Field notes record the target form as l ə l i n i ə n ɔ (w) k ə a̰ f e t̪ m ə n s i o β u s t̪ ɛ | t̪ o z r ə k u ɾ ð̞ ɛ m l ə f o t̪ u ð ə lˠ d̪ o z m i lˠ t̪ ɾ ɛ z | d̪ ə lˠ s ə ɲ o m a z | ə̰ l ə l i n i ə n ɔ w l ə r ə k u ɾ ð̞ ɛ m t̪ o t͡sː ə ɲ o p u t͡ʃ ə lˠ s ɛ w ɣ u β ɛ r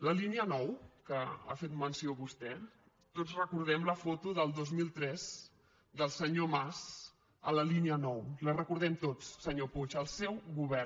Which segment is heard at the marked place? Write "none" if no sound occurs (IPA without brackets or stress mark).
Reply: w